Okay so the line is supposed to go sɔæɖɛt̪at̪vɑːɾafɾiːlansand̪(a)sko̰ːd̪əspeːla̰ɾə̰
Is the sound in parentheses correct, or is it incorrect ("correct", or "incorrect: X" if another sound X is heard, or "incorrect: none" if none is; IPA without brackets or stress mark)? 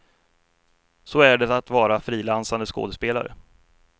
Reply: incorrect: ə